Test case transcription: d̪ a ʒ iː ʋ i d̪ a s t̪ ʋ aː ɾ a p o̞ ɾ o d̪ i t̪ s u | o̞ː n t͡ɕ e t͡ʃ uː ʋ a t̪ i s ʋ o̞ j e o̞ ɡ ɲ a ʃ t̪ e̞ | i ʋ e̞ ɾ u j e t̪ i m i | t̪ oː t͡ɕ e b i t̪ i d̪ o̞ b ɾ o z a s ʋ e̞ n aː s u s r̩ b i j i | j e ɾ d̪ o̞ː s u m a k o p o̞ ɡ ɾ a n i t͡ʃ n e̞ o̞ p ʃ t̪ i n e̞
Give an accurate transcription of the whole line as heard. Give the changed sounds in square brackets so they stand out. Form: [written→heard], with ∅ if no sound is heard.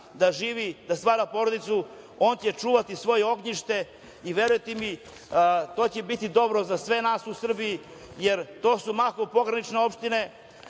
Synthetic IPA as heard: d̪ a ʒ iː ʋ i d̪ a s t̪ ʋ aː ɾ a p o̞ ɾ o d̪ i t̪ s u | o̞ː n t͡ɕ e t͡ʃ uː ʋ a t̪ i s ʋ o̞ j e o̞ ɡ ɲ [a→i] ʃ t̪ e̞ | i ʋ e̞ ɾ u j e t̪ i m i | t̪ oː t͡ɕ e b i t̪ i d̪ o̞ b ɾ o z a s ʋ e̞ n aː s u s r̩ b i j i | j e ɾ [d̪→t̪] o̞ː s u m a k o p o̞ ɡ ɾ a n i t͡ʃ n e̞ o̞ p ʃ t̪ i n e̞